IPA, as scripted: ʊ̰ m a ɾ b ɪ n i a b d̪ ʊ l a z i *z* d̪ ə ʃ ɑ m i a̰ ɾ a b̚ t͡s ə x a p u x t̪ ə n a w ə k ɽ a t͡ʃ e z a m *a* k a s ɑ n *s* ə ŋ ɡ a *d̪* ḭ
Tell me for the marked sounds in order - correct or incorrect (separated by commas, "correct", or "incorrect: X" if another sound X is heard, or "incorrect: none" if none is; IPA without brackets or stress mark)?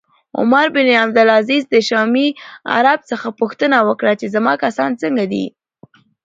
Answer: correct, incorrect: ɑ, incorrect: t͡s, correct